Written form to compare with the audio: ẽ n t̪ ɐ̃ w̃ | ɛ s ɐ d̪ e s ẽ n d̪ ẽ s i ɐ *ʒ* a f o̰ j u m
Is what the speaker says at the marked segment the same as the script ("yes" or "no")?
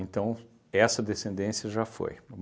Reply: yes